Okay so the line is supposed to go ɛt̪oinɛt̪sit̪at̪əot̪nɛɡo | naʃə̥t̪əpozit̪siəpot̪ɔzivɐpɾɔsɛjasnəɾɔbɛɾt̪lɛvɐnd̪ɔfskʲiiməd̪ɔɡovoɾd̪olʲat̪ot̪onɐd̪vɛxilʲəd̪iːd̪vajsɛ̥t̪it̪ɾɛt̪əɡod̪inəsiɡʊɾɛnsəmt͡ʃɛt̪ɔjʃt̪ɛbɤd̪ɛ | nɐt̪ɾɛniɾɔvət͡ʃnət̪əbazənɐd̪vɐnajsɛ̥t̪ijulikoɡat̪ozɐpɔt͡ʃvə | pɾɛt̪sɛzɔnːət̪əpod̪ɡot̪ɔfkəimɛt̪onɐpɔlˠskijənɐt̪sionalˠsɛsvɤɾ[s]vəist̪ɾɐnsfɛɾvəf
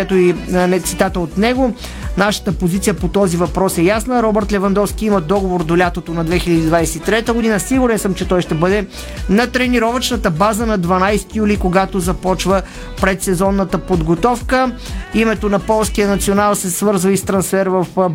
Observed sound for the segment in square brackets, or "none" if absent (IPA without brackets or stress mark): z